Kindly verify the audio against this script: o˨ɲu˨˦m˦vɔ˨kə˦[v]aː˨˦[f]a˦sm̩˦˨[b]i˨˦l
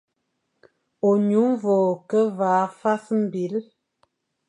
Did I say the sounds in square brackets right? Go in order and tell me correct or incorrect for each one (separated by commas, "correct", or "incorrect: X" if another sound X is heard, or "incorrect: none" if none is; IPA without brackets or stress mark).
correct, correct, correct